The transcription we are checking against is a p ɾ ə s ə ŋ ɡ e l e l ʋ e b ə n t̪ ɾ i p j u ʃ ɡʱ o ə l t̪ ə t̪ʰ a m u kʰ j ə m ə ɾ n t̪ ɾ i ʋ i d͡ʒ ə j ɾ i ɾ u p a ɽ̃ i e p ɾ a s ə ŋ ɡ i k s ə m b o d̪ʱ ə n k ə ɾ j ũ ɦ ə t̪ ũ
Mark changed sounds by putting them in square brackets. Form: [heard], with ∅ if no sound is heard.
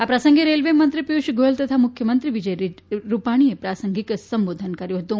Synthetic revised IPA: a p ɾ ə s ə ŋ ɡ e [ɾ] e l ʋ e [m] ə n t̪ ɾ i p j u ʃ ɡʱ o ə l t̪ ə t̪ʰ a m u kʰ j ə m ə [∅] n t̪ ɾ i ʋ i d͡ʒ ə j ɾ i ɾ u p a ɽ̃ i e p ɾ a s ə ŋ ɡ i k s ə m b o d̪ʱ ə n k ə ɾ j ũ ɦ ə t̪ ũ